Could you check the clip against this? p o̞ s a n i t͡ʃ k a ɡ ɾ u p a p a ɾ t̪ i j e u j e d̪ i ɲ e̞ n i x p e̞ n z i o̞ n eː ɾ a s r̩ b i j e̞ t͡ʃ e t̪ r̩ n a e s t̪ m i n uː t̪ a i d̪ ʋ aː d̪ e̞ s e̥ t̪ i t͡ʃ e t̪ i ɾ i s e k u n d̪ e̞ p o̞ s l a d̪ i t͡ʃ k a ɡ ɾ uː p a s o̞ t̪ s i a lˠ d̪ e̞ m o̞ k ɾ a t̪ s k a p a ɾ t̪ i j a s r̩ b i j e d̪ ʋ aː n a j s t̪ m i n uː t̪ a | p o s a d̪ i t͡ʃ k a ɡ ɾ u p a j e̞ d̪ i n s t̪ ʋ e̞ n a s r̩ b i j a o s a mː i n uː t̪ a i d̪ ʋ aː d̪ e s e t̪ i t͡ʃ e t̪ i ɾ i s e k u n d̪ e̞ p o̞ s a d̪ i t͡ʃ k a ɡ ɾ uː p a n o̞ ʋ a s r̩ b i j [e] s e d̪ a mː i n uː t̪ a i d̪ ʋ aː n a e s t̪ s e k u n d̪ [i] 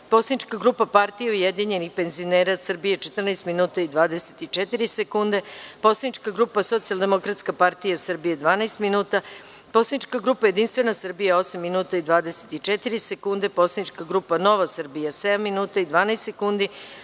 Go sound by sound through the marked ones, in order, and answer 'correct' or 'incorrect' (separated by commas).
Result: incorrect, correct